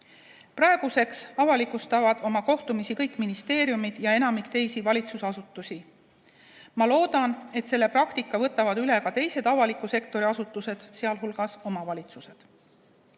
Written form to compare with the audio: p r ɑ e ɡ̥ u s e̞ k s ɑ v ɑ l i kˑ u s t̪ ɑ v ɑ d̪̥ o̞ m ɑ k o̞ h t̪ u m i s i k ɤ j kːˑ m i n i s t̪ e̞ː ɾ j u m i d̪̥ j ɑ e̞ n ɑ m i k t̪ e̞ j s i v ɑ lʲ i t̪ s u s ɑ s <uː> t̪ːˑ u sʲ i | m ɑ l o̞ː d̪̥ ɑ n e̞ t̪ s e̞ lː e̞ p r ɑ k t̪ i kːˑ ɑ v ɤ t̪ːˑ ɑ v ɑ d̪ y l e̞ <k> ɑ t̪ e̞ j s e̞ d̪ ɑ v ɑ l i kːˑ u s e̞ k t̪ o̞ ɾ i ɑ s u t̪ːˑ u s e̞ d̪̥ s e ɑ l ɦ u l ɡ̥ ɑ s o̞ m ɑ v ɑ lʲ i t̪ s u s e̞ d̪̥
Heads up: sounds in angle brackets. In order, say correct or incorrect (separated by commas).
incorrect, correct